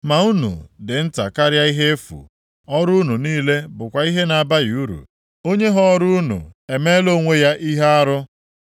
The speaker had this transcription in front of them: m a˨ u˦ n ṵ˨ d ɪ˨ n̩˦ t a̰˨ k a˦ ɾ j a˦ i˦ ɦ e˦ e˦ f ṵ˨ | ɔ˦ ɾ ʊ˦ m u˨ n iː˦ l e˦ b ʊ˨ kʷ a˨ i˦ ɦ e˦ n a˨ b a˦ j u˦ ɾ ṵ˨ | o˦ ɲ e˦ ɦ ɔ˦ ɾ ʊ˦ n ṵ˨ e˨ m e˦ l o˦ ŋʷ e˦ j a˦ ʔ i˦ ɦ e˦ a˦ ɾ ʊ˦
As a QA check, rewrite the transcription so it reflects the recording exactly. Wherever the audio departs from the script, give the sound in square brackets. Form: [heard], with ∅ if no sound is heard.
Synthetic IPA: m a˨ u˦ n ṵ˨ d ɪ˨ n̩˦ t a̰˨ k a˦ ɾ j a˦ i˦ ɦ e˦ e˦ f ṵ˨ | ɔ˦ ɾ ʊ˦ [n] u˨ n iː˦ l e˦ b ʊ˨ kʷ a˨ i˦ ɦ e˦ n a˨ b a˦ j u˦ ɾ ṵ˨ | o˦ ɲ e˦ ɦ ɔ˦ ɾ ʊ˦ n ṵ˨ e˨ m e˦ l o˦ ŋʷ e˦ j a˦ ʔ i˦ ɦ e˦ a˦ ɾ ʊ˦